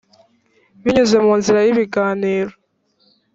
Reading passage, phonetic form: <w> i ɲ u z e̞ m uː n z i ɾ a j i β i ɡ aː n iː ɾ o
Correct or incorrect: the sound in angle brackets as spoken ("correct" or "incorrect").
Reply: incorrect